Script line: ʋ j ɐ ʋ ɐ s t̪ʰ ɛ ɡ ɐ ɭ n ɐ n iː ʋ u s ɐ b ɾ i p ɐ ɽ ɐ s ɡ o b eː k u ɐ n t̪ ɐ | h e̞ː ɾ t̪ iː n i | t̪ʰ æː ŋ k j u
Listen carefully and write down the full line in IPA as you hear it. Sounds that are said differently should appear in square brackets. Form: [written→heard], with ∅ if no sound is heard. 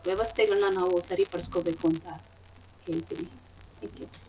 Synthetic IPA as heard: ʋ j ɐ ʋ ɐ s t̪ʰ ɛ ɡ ɐ ɭ n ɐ n [iː→aː] ʋ u s ɐ [b→∅] ɾ i p ɐ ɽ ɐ s [ɡ→k] o b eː k u ɐ n t̪ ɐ | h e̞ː [ɾ→ɭ] t̪ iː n i | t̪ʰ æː ŋ k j u